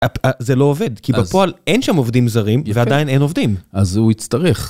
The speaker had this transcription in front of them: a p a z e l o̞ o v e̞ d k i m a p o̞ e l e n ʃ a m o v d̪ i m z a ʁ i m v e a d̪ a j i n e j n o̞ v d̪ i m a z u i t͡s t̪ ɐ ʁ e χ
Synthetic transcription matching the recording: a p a z e l o̞ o v e̞ d k i b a p o̞ a l e n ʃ a m o v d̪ i m z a ʁ i m v e a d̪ a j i n e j n o̞ v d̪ i m a z u i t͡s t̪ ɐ ʁ e χ